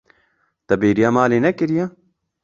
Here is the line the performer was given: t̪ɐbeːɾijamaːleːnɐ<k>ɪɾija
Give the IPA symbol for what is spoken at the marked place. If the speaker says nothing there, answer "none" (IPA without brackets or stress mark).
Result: k